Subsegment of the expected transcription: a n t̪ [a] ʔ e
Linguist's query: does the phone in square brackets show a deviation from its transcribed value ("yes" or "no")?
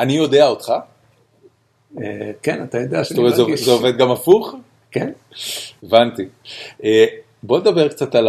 yes